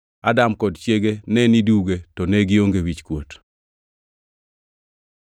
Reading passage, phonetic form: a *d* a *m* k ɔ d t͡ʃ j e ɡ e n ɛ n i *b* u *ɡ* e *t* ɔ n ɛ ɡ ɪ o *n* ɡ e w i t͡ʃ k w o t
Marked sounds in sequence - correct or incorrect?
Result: correct, correct, incorrect, correct, correct, incorrect

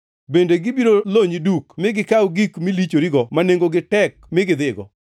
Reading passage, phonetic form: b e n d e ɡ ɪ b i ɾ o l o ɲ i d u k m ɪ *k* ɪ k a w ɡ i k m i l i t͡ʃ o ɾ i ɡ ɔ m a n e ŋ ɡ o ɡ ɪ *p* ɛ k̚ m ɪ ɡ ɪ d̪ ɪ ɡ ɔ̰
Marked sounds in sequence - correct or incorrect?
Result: incorrect, incorrect

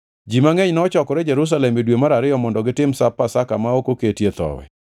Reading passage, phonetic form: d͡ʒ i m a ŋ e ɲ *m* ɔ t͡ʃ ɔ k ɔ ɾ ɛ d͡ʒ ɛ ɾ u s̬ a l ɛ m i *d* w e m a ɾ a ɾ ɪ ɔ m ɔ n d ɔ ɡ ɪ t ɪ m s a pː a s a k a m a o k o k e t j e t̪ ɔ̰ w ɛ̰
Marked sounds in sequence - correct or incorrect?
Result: incorrect, correct

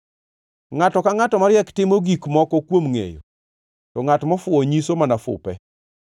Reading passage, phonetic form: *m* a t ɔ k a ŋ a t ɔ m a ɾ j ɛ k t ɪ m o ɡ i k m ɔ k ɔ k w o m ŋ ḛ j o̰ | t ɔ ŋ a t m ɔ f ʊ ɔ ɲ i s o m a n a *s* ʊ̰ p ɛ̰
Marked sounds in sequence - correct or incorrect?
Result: incorrect, incorrect

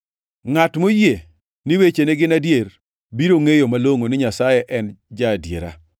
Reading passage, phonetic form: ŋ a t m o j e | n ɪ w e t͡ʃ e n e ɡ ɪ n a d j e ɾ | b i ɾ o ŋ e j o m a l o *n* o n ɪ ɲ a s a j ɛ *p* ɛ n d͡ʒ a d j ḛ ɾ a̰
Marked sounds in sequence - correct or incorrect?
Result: incorrect, incorrect

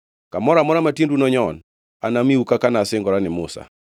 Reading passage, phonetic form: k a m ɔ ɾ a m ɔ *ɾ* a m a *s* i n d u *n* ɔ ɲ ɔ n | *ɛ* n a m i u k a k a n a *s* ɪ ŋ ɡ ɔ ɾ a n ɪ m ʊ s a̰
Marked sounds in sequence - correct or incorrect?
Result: correct, incorrect, correct, incorrect, correct

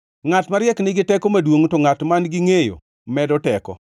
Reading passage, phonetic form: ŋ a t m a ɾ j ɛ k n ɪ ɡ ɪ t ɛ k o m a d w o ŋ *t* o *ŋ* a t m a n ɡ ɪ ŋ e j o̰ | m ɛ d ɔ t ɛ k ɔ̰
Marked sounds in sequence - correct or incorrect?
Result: correct, correct

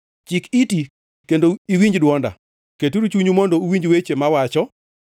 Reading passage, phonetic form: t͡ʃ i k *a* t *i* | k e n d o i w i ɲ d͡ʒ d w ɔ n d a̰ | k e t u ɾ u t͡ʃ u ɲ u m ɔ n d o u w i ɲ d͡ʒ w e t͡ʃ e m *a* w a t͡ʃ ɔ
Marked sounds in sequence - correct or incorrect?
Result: incorrect, correct, correct

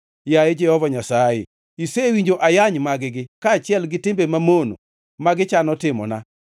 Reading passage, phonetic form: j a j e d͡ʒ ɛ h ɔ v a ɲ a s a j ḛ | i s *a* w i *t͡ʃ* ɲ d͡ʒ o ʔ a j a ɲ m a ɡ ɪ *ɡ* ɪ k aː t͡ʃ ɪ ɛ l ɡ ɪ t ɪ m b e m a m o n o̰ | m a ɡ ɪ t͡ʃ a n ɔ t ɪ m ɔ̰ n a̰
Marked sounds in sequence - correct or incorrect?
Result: incorrect, incorrect, correct

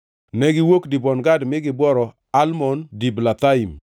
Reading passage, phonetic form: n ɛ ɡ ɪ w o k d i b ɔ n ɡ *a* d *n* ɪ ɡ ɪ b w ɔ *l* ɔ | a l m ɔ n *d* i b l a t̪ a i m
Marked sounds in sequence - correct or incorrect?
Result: correct, incorrect, incorrect, correct

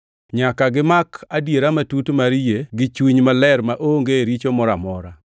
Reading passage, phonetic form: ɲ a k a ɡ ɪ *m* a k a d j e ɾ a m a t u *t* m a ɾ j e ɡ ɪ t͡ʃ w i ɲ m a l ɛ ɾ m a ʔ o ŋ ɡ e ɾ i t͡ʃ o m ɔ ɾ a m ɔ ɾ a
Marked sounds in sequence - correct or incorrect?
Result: correct, correct

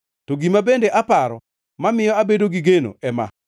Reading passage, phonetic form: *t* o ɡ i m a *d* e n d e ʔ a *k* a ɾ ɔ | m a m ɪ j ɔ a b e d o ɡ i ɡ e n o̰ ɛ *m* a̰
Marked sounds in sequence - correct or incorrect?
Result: correct, incorrect, incorrect, correct

